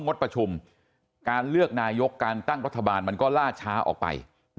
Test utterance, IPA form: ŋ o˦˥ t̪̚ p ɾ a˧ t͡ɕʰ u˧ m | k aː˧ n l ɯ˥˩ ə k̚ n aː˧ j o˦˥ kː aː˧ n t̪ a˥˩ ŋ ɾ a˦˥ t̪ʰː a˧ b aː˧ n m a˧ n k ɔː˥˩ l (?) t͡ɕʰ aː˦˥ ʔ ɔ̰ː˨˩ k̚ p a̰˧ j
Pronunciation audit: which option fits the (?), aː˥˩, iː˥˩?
aː˥˩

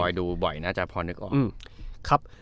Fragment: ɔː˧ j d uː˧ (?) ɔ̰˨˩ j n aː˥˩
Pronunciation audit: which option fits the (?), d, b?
b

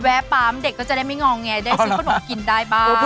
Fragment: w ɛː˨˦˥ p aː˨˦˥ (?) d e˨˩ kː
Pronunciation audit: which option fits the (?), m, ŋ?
m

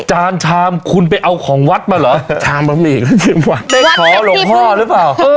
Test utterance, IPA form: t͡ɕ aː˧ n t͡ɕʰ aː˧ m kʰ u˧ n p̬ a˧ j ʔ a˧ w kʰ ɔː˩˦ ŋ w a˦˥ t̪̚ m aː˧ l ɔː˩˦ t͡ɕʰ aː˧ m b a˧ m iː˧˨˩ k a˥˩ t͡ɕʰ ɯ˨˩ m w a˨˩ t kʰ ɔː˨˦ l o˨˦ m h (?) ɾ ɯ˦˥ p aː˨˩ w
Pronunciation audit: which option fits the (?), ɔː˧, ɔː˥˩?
ɔː˥˩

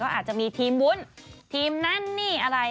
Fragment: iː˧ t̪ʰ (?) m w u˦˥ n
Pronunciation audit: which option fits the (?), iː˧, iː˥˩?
iː˧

